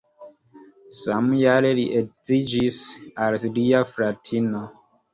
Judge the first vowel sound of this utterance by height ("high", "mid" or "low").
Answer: low